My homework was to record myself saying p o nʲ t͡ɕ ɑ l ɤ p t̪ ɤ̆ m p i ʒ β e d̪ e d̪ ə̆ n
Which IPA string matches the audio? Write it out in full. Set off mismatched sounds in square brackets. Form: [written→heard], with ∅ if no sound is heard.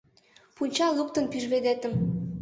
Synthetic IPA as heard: p [o→u] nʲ t͡ɕ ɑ l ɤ p t̪ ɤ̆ [m→n] p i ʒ β e d̪ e [d̪→t̪] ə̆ [n→m]